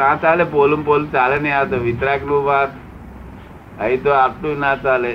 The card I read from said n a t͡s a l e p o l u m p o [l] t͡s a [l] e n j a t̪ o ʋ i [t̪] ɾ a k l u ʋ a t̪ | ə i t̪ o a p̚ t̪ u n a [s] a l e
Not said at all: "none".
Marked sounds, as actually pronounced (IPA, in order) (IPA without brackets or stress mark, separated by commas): l, l, t̪, t͡s